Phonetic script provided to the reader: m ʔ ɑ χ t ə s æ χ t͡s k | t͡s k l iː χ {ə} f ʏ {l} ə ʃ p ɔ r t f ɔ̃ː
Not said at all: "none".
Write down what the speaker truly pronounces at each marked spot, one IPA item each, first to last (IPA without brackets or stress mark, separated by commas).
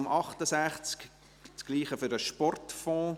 ə, ɾ